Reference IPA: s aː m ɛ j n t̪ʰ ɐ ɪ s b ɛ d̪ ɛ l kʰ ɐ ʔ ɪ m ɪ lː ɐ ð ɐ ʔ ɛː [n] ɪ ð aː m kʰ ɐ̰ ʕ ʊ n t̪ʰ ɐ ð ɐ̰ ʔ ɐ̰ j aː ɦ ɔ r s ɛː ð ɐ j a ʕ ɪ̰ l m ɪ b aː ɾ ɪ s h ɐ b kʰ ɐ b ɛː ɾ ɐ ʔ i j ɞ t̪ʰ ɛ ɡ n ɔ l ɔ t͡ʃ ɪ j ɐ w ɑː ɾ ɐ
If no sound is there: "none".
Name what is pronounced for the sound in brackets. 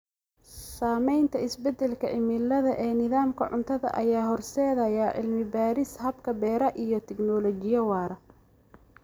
n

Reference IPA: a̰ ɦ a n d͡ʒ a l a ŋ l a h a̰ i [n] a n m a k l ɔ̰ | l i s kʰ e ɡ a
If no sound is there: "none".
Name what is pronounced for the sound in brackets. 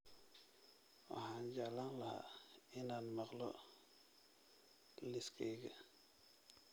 n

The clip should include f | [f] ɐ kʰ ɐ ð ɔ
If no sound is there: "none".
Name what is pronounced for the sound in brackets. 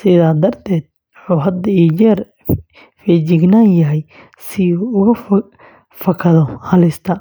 f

